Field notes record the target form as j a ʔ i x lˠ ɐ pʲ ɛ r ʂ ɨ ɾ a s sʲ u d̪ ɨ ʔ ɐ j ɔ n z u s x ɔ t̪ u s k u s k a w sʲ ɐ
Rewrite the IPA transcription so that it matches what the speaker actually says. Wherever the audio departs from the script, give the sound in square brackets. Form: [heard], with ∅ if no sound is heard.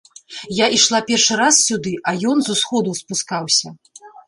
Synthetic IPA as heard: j a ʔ i [ʂ] lˠ [a] pʲ ɛ r ʂ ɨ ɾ a s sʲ u d̪ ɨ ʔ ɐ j ɔ n z u s x ɔ [d̪] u s [p] u s k a w sʲ ɐ